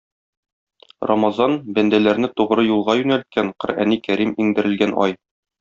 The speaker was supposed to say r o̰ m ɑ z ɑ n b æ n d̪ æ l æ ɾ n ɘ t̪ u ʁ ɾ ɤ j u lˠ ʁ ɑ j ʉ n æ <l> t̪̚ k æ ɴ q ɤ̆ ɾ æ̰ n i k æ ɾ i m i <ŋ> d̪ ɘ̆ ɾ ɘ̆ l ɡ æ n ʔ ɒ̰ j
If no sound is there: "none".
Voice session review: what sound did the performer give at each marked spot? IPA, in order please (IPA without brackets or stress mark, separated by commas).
l, ŋ